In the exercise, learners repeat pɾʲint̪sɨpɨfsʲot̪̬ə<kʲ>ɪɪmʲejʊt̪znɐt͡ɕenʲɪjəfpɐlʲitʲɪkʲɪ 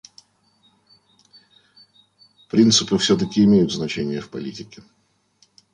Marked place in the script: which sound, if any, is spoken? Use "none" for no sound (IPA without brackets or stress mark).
kʲ